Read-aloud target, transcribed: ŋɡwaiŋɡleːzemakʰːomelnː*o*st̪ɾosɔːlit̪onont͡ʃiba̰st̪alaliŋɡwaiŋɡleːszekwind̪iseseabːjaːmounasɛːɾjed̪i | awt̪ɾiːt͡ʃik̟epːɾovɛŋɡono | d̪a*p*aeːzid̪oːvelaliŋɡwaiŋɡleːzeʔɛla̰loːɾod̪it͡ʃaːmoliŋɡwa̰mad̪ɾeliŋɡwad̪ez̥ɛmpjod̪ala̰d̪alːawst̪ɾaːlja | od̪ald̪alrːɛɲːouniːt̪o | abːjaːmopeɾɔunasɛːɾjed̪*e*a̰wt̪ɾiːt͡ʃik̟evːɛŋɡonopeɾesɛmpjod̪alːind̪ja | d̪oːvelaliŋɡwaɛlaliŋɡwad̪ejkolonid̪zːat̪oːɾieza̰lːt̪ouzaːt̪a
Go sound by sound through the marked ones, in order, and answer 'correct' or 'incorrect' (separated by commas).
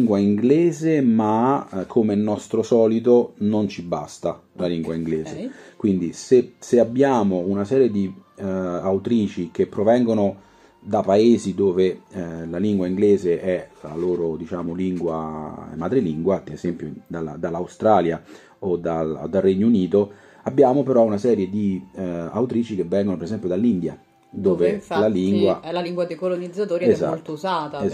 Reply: incorrect, correct, incorrect